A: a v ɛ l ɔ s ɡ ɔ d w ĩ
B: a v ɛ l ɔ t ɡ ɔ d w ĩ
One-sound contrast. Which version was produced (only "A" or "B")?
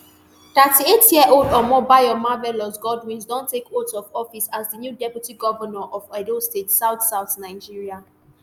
A